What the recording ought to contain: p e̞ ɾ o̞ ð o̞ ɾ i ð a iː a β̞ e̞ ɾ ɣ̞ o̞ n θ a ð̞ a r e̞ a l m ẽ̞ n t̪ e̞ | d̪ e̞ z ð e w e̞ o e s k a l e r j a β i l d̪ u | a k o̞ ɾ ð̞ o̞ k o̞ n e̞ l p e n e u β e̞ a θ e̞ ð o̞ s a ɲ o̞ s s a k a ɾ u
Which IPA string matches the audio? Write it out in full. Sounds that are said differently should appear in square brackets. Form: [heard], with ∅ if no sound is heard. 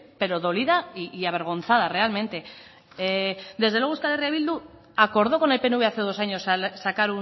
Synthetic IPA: p e̞ ɾ o̞ ð o̞ [l] i ð a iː a β̞ e̞ ɾ ɣ̞ o̞ n θ a ð̞ a r e̞ a l m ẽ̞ n t̪ e̞ | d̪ e̞ z ð e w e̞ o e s k a l e r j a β i l d̪ u | a k o̞ ɾ ð̞ o̞ k o̞ n e̞ l p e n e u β e̞ a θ e̞ ð o̞ s a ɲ o̞ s s a k a ɾ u